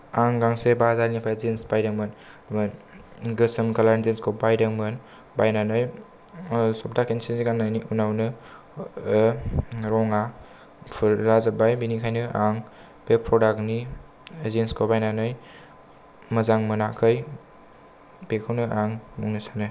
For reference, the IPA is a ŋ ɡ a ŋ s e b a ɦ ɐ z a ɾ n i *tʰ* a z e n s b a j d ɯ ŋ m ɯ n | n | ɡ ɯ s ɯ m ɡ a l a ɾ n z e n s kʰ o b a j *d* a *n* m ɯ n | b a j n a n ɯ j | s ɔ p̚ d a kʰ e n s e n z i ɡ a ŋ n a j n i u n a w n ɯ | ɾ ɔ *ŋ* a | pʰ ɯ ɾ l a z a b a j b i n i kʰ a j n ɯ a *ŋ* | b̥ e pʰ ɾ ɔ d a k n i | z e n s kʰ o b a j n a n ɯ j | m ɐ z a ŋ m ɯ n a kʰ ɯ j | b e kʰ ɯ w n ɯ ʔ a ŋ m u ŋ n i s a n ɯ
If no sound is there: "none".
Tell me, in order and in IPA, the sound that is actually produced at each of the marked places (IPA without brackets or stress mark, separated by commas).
pʰ, d, ŋ, ŋ, ŋ